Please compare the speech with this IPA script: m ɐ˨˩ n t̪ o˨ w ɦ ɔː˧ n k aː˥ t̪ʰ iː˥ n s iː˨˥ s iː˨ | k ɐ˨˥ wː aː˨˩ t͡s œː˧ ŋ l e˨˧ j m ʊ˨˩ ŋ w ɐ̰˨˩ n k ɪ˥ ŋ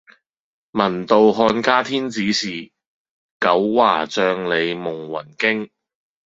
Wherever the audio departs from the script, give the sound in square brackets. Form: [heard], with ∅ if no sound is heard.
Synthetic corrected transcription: m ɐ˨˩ n t̪ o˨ w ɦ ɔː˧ n k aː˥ t̪ʰ iː˥ n [t͡s] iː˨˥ s iː˨ | k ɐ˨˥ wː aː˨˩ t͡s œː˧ ŋ l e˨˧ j m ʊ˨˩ ŋ w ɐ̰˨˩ n k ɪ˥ ŋ